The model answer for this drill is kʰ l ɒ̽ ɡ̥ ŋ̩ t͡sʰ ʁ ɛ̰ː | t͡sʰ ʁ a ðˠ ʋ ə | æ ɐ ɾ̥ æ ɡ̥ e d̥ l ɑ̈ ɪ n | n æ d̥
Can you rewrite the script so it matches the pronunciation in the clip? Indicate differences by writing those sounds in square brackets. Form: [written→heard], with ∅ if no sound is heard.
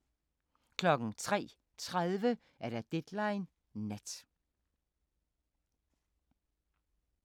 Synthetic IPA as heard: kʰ l ɒ̽ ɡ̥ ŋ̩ t͡sʰ ʁ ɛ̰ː | t͡sʰ ʁ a ðˠ ʋ ə | æ ɐ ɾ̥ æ [ɡ̥→d̥] e d̥ l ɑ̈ ɪ n | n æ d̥

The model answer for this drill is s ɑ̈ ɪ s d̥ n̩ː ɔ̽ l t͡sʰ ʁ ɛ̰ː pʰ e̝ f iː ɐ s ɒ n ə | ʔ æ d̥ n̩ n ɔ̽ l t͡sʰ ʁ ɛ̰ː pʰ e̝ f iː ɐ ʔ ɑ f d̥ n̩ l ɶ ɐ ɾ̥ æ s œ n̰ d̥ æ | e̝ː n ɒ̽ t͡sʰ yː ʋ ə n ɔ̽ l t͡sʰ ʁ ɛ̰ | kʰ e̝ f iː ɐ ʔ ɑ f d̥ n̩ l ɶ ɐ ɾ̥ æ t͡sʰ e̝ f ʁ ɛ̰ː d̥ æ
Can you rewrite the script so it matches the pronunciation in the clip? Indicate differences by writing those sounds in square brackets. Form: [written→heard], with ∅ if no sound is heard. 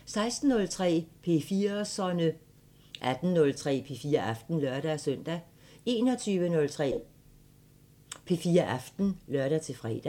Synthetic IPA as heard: s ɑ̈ ɪ s d̥ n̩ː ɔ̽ l t͡sʰ ʁ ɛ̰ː pʰ e̝ f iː ɐ s ɒ n ə | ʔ æ d̥ n̩ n ɔ̽ l t͡sʰ ʁ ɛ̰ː pʰ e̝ f iː ɐ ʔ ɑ f d̥ n̩ l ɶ ɐ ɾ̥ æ s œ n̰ d̥ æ | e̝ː n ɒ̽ t͡sʰ yː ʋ ə n ɔ̽ l t͡sʰ ʁ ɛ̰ | [kʰ→pʰ] e̝ f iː ɐ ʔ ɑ f d̥ n̩ l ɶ ɐ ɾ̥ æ t͡sʰ e̝ f ʁ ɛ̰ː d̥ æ

